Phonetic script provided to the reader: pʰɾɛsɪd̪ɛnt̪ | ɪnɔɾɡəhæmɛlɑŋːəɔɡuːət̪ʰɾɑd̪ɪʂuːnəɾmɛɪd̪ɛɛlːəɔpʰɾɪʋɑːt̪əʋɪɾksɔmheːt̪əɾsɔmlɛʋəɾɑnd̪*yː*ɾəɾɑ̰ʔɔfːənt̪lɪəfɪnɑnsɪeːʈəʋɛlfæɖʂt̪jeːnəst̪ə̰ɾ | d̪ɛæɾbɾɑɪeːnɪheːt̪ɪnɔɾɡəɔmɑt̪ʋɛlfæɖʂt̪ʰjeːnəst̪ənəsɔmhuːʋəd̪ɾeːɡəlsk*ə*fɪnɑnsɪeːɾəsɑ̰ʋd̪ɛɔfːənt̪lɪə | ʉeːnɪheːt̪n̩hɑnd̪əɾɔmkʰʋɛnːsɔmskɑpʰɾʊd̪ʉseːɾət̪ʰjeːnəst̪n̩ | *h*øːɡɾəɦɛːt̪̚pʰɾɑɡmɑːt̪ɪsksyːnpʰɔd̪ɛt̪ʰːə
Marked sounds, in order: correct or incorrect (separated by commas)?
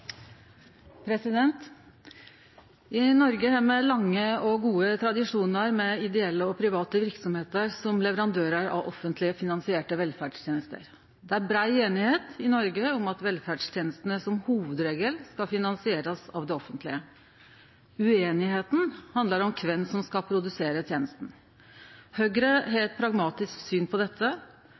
incorrect, incorrect, correct